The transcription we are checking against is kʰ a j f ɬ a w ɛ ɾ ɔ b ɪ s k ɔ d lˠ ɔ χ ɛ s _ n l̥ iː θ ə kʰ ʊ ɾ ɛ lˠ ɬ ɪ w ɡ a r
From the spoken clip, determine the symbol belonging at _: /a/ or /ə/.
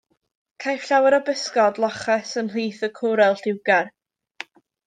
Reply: ə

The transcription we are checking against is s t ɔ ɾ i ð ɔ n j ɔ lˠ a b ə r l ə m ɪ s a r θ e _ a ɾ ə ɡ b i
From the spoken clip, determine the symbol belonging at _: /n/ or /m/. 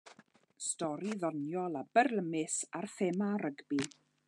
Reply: m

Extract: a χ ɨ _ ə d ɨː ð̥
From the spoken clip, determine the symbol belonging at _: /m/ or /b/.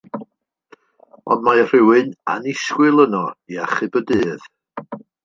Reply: b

